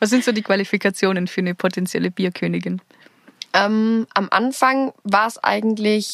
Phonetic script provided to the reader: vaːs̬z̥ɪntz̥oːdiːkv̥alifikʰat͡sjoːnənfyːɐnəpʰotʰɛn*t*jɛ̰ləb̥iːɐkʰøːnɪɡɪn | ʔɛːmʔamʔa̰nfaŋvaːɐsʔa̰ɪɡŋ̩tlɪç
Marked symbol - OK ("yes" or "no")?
no